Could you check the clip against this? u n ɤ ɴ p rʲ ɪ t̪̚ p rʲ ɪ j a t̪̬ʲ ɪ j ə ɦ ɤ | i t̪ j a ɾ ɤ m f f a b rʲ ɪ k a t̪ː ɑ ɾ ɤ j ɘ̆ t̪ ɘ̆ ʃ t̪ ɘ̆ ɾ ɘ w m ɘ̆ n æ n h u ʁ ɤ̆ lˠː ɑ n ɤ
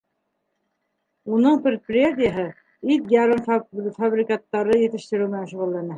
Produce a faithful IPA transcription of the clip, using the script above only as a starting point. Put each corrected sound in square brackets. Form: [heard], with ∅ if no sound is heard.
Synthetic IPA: u n ɤ ɴ p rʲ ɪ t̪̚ p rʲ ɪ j a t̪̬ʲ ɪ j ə ɦ ɤ | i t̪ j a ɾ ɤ m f f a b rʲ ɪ k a t̪ː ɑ ɾ ɤ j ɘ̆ t̪ ɘ̆ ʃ t̪ ɘ̆ ɾ ɘ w m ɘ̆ n æ n [ʃ] u ʁ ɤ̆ lˠː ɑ n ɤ